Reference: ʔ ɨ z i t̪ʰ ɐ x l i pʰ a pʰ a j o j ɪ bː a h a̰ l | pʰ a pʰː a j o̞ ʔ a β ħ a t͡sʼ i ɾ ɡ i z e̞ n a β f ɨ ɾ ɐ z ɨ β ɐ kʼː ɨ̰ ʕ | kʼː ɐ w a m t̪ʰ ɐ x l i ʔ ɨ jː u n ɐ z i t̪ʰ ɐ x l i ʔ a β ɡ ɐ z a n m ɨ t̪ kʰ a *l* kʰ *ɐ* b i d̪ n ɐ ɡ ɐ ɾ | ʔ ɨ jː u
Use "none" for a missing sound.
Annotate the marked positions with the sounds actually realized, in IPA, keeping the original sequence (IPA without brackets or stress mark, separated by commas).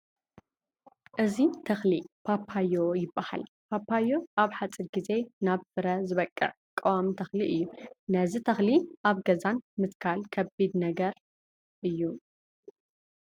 l, ɐ